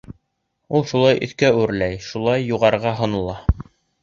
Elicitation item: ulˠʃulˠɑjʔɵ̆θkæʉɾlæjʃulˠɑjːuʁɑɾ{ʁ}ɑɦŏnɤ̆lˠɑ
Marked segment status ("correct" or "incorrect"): correct